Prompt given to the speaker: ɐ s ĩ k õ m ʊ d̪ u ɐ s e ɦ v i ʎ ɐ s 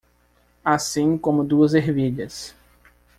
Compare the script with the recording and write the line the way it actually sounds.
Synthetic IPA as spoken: a s ĩ k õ m ʊ d̪ u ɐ z e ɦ v i ʎ ɐ s